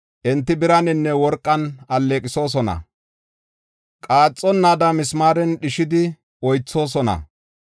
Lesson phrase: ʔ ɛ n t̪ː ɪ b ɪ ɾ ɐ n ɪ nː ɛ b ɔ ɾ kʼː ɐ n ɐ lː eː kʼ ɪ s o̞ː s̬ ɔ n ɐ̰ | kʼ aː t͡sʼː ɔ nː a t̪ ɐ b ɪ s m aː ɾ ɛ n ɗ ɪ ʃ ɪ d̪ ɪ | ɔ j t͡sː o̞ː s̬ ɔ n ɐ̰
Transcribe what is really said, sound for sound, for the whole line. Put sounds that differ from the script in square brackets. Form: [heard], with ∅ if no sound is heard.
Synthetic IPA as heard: ʔ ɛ n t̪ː ɪ b ɪ ɾ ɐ n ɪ nː ɛ [w] ɔ ɾ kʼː ɐ n ɐ lː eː kʼ ɪ s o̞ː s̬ ɔ n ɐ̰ | kʼ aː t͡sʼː ɔ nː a [d̪] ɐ [m] ɪ s m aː ɾ ɛ n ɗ ɪ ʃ ɪ d̪ ɪ | ɔ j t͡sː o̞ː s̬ ɔ n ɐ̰